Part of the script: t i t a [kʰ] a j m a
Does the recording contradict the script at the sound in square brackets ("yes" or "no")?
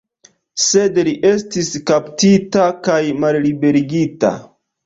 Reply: yes